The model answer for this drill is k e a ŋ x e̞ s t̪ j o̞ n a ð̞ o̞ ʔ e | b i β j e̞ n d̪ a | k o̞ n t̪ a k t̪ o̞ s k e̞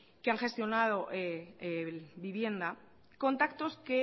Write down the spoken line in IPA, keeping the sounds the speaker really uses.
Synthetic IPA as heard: k e a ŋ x e̞ s t̪ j o̞ n a ð̞ o̞ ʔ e | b i β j e̞ n d̪ a | k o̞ n t̪ a k t̪ o̞ s k e̞

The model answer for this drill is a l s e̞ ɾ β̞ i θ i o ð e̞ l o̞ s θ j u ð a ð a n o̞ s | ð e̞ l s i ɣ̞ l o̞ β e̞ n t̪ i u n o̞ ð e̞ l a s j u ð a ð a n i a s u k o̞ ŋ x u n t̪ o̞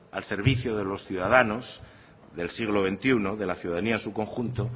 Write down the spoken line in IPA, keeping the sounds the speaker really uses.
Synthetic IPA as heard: a l s e̞ ɾ β̞ i θ j o ð e̞ l o̞ s θ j u ð a ð a n o̞ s | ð e̞ l s i ɣ̞ l o̞ β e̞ n t̪ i u n o̞ ð e̞ l a θ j u ð a ð a n i a s u k o̞ ŋ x u n t̪ o̞

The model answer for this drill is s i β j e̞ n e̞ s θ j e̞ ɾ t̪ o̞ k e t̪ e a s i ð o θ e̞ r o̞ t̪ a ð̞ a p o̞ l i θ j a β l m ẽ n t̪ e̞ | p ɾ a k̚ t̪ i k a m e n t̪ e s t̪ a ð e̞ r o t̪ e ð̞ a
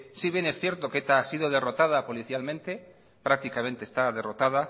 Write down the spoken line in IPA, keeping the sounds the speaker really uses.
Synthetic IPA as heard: s i β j e̞ n e̞ s θ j e̞ ɾ t̪ o̞ k e t̪ a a s i ð o ð e̞ r o̞ t̪ a ð̞ a p o̞ l i θ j a l m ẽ n t̪ e̞ | p ɾ a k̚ t̪ i k a m e n t̪ e s t̪ a ð e̞ r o t̪ a ð̞ a

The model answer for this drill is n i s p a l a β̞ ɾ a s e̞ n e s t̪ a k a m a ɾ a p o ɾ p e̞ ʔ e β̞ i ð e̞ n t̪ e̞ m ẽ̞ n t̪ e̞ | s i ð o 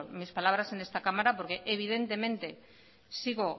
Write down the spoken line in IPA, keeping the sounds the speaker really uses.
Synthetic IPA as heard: m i s p a l a β̞ ɾ a s e̞ n e s t̪ a k a m a ɾ a p o ɾ k e̞ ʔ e β̞ i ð e̞ n t̪ e̞ m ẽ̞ n t̪ e̞ | s i ɣ o

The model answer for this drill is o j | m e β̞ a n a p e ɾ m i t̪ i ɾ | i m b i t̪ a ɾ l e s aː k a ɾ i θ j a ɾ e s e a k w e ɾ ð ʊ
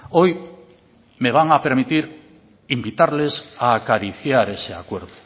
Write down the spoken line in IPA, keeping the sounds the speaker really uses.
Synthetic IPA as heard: o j | m e β̞ a ŋ a p e ɾ m i t̪ i ɾ | i m b i t̪ a ɾ l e s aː k a ɾ i θ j a ɾ e s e a k w e ɾ ð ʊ

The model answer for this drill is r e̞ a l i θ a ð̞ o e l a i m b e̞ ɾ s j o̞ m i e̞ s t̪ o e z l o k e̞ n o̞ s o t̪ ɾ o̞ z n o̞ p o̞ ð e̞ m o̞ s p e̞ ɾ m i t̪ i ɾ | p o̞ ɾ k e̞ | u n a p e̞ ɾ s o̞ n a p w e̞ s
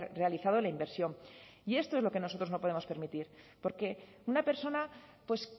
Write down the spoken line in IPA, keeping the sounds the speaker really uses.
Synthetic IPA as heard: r e̞ a l i θ a ð̞ o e l a i m b e̞ ɾ s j o̞ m i e̞ s t̪ o e z l o k e̞ n o̞ s o t̪ ɾ o̞ z n o̞ p o̞ ð e̞ m o̞ s p e̞ ɾ m i t̪ i ɾ | p o̞ ɾ k e̞ | u n a p e̞ ɾ s o̞ n a p w e̞ s

